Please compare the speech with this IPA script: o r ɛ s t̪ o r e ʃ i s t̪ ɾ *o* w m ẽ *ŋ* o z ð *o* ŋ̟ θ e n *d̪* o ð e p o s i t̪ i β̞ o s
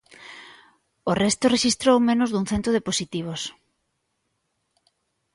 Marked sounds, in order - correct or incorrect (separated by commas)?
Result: correct, incorrect, incorrect, incorrect